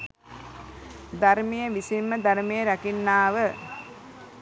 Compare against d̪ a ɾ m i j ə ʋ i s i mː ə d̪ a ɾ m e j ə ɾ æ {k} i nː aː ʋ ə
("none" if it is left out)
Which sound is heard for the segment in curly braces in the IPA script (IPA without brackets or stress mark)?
k